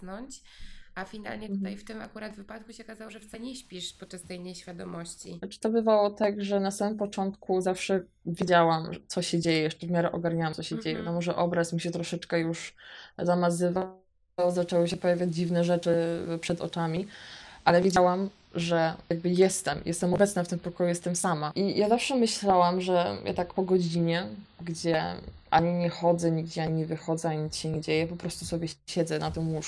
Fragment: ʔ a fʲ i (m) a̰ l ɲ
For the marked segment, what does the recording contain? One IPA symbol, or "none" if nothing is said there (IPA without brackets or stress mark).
n